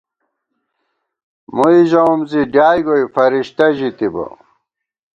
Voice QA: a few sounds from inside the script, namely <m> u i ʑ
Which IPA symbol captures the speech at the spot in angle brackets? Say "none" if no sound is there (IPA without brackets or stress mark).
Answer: m